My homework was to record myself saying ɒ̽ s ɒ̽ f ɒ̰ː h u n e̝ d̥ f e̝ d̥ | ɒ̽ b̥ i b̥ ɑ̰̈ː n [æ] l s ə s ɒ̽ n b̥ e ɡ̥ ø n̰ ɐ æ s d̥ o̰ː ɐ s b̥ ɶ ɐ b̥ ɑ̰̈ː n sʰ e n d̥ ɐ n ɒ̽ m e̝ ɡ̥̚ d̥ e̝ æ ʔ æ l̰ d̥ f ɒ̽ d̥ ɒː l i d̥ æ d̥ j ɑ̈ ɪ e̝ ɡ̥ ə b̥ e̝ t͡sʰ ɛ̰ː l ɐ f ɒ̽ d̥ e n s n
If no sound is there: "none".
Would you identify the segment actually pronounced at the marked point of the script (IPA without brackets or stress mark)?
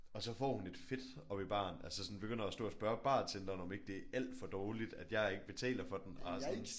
æ